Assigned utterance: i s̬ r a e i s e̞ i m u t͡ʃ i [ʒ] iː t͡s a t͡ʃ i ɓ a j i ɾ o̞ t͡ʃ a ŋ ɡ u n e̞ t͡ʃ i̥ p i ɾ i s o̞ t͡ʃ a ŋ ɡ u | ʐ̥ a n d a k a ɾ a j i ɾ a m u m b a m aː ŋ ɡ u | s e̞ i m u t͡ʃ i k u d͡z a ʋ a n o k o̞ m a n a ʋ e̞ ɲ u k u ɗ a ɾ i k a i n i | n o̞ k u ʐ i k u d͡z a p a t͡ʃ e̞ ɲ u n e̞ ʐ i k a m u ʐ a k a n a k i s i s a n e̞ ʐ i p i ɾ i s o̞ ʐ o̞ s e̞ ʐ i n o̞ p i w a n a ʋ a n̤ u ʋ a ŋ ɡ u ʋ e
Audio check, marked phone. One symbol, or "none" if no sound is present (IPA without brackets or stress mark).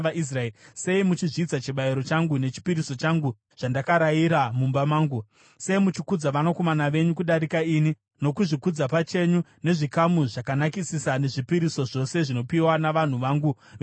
ʐ